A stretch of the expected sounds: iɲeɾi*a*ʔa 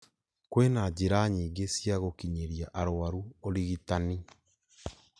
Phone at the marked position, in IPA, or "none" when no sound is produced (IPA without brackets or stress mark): a